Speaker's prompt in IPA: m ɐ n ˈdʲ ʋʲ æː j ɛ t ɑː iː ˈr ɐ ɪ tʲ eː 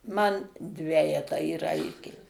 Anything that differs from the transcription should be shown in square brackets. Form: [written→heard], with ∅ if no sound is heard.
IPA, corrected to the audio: m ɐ n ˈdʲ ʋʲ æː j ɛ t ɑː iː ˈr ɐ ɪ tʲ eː